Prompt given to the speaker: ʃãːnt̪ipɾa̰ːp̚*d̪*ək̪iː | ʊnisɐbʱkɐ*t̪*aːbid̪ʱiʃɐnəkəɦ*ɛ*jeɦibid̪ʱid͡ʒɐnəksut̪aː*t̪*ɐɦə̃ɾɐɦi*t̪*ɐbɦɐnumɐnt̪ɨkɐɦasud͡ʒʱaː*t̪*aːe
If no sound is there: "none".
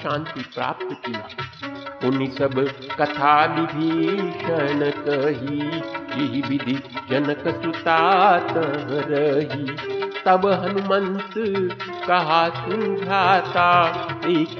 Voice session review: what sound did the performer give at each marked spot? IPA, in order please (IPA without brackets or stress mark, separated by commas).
t̪, t̪ʰ, i, t̪, t̪, t̪